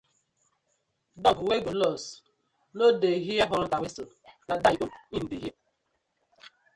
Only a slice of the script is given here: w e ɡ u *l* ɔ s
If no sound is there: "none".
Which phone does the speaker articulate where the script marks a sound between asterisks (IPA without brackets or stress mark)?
l